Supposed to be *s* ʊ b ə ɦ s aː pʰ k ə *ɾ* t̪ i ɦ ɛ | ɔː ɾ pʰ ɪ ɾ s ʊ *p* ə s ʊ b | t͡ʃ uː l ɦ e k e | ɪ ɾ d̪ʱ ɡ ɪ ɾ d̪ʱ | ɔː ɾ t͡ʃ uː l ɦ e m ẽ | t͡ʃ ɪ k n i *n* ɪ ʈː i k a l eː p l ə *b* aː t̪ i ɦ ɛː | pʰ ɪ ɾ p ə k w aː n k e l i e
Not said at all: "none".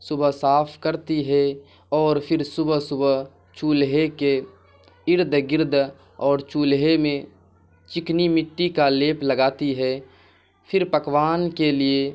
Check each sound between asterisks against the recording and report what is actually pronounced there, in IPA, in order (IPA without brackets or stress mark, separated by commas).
s, ɾ, b, m, ɡ